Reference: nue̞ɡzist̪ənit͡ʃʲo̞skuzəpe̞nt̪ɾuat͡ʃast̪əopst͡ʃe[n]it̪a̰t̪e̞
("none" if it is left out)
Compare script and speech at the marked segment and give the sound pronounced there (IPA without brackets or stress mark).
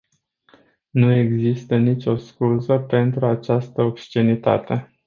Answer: n